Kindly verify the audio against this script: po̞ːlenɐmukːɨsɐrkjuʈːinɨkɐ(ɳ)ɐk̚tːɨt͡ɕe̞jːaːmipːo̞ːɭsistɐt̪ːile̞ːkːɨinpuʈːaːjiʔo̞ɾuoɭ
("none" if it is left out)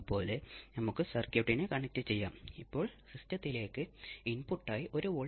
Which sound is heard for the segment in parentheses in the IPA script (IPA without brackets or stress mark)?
ɳ